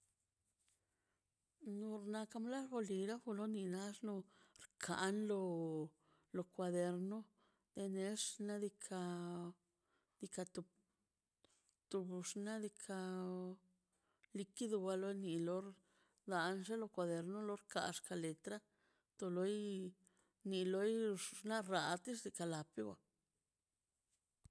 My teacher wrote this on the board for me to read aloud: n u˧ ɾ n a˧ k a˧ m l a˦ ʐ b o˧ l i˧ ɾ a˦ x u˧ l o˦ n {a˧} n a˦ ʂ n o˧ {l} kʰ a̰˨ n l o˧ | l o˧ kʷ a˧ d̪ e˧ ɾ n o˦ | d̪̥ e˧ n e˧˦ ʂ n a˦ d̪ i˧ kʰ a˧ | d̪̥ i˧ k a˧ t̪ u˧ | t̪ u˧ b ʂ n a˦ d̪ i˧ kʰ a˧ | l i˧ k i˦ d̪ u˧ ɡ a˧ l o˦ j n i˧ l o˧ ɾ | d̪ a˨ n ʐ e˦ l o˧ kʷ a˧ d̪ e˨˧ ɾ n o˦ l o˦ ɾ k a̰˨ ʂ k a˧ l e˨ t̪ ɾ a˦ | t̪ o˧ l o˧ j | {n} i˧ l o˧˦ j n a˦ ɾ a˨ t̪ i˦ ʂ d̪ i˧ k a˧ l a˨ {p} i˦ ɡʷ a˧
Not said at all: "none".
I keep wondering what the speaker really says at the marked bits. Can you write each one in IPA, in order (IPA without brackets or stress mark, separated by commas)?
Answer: i˧, ɾ, n, p